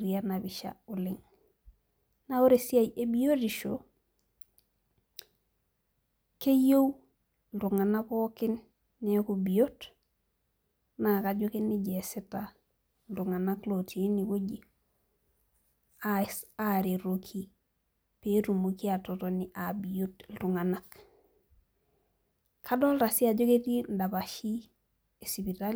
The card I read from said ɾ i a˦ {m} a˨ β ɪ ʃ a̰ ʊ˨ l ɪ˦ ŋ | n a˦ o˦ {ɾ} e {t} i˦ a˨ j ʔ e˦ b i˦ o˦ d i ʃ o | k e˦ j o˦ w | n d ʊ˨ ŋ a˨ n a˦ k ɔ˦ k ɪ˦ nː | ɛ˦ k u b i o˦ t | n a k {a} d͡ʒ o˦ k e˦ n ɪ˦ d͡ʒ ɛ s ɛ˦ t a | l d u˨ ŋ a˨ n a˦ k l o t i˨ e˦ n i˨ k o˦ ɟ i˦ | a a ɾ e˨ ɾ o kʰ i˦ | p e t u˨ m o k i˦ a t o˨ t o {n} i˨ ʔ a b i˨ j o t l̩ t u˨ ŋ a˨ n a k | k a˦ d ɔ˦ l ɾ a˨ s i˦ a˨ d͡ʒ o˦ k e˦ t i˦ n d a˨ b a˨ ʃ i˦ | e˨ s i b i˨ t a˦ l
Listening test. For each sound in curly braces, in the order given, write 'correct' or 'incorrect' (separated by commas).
incorrect, correct, incorrect, correct, correct